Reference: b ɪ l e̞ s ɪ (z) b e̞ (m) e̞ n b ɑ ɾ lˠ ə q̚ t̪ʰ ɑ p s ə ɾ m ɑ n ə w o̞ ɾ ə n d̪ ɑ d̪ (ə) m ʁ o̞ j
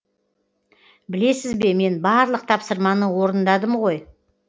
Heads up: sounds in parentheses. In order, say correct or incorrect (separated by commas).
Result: correct, correct, correct